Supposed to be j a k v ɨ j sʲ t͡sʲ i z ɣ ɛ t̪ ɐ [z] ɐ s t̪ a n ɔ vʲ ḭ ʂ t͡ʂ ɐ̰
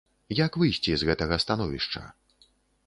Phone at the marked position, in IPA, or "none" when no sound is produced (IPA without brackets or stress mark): ɣ